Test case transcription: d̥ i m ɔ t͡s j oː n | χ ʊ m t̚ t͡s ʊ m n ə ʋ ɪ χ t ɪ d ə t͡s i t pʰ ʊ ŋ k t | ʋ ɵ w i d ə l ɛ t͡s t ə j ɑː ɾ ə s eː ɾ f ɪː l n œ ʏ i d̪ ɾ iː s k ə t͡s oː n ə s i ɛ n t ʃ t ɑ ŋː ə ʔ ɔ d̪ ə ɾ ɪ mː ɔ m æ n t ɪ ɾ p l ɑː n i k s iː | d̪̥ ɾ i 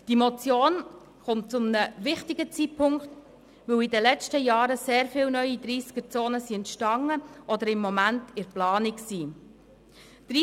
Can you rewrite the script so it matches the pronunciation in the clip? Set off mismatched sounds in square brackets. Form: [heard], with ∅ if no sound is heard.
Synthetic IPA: d̥ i m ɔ t͡s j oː n | χ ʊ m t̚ t͡s ʊ m n ə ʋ ɪ χ t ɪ [ɡ] ə t͡s i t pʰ ʊ ŋ k t | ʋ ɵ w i d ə l ɛ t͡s t ə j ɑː ɾ ə s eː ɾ f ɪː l n œ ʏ i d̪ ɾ iː s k ə t͡s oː n ə s i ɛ n t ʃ t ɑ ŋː ə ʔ ɔ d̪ ə ɾ ɪ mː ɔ m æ n t ɪ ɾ p l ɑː n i k s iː | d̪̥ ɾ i